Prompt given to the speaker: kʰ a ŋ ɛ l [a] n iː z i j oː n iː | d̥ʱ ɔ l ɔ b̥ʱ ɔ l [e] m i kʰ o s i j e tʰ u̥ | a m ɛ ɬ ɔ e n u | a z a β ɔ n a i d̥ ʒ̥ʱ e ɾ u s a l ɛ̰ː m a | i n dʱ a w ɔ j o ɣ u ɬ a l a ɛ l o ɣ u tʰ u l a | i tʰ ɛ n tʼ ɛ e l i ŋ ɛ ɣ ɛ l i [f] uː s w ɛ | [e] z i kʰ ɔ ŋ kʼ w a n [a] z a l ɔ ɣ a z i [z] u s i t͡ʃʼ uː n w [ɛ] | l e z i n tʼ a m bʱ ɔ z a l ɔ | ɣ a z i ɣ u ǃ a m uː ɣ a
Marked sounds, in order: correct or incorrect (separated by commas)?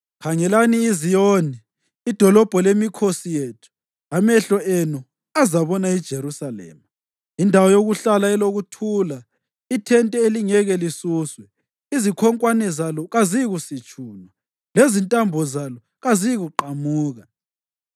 correct, correct, incorrect, incorrect, incorrect, incorrect, incorrect